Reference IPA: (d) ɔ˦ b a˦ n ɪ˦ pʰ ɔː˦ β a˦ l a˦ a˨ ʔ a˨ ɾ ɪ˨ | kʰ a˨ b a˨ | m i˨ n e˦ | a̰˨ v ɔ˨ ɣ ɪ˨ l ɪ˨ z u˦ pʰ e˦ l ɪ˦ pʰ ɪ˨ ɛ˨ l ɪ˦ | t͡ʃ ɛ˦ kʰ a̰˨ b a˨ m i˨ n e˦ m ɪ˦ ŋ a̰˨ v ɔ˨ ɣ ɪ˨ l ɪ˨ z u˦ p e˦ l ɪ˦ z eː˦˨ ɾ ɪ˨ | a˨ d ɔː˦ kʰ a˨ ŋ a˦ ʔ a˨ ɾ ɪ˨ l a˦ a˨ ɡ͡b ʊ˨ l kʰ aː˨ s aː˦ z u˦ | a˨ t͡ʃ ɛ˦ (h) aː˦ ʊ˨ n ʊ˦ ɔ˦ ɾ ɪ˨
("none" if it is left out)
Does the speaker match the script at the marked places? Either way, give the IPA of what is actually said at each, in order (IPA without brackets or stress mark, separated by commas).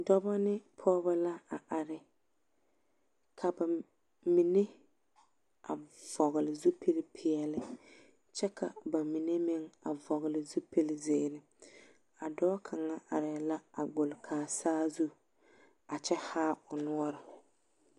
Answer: d, h